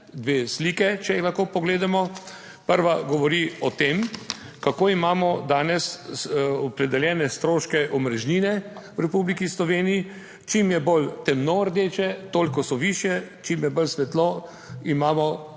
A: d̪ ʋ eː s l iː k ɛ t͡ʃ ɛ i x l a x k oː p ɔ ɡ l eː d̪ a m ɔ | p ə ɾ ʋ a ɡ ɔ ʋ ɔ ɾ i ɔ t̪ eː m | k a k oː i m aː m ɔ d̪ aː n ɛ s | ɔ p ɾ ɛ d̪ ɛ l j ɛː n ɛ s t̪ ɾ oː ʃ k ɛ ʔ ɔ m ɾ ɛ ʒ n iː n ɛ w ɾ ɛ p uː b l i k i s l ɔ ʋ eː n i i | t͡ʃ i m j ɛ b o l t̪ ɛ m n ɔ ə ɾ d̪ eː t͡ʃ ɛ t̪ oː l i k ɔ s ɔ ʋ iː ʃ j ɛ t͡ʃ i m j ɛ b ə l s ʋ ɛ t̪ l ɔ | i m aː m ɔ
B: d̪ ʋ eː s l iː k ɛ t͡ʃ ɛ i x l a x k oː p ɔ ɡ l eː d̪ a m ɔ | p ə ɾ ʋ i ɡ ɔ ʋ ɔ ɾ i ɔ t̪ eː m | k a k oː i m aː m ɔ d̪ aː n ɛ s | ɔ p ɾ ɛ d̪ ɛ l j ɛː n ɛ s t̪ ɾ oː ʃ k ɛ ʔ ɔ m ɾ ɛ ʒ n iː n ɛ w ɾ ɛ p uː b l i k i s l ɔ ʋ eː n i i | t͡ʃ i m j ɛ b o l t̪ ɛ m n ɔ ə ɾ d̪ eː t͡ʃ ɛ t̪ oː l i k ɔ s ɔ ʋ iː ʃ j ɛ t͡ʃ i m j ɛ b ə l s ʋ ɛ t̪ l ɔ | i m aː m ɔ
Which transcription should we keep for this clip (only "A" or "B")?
A